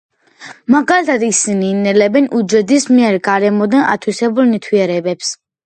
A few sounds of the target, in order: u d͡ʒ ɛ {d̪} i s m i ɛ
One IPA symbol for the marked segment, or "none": d̪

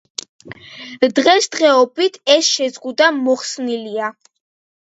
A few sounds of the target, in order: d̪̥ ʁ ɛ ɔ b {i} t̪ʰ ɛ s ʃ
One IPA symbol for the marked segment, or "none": i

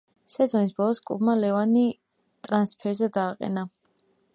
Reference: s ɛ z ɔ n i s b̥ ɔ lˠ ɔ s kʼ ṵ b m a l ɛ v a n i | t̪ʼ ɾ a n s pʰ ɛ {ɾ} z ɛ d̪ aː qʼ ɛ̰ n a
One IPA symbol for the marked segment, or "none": ɾ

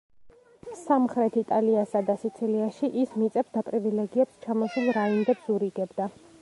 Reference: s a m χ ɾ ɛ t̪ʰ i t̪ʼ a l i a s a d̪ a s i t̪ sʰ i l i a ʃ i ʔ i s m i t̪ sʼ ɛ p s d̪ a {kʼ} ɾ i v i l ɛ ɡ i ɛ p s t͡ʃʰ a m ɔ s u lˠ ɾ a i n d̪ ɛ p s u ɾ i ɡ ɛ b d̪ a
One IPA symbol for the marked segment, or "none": pʼ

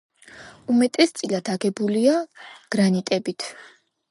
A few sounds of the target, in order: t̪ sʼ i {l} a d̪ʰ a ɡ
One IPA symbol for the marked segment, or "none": l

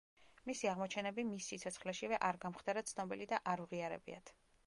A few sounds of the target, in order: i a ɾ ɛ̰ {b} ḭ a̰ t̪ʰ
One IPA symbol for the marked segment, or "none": b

